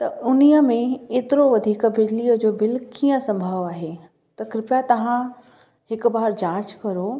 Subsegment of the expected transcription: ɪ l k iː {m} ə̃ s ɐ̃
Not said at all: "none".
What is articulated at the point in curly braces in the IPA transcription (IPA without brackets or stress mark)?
none